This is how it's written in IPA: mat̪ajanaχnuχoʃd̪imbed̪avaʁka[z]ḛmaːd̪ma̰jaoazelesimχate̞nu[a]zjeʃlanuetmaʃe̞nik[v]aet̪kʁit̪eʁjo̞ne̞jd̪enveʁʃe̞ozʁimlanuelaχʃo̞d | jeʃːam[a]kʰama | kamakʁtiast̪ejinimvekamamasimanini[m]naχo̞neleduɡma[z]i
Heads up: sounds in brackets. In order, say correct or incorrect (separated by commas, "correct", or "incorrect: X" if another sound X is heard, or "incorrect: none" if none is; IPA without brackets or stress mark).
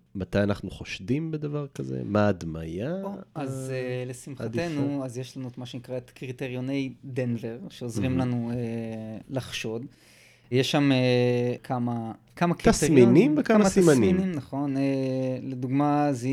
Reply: correct, correct, incorrect: ʁ, incorrect: e, correct, correct